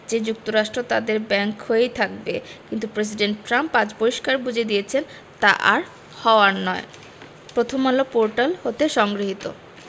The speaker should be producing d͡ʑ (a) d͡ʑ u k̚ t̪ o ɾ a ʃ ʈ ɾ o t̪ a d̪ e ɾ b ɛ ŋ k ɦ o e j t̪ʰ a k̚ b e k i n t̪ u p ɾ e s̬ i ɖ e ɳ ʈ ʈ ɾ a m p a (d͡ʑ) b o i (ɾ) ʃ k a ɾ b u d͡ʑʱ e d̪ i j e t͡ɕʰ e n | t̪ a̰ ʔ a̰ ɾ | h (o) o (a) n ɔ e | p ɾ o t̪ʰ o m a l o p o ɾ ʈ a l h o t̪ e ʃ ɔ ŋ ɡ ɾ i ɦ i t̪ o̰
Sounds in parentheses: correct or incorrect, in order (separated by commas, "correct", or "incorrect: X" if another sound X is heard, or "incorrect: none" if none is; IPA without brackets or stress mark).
incorrect: e, correct, incorrect: none, incorrect: ɔ, correct